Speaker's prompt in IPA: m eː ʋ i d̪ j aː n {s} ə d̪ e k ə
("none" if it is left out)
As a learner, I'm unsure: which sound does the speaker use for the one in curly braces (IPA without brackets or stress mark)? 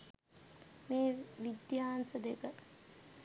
s